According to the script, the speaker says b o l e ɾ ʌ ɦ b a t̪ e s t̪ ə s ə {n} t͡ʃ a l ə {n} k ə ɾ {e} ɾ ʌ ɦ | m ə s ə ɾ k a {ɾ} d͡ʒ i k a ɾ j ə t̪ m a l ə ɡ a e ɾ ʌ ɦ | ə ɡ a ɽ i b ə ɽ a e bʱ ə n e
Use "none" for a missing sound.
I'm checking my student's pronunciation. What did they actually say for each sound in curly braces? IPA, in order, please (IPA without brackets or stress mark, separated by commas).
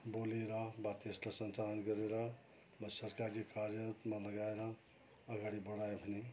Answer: n, n, e, ɾ